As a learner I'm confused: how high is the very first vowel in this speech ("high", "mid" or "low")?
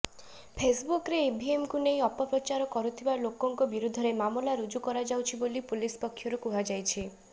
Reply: mid